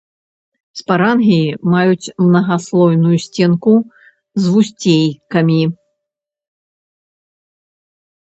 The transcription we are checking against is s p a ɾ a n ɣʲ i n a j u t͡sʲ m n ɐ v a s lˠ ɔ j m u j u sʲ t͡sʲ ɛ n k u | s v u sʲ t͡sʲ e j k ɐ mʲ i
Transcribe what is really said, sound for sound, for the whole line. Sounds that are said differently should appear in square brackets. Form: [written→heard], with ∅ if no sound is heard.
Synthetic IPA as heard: s p a ɾ a n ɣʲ i [n→m] a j u t͡sʲ m n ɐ [v→ɣ] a s lˠ ɔ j [m→n] u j u sʲ t͡sʲ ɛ n k u | [s→z] v u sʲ t͡sʲ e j k ɐ mʲ i